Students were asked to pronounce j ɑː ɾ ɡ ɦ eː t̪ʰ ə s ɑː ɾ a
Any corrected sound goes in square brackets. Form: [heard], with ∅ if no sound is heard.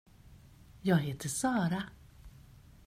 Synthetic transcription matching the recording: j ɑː [∅] ɡ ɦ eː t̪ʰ ə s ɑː ɾ a